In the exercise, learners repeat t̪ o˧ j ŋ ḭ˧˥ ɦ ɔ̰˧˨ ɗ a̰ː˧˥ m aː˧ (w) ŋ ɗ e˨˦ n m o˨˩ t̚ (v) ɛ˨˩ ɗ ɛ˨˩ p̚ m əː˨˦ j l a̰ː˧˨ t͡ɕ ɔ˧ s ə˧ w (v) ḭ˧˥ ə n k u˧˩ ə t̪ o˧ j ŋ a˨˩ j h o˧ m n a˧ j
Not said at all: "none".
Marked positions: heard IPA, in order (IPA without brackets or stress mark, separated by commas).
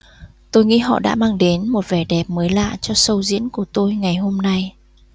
none, v, z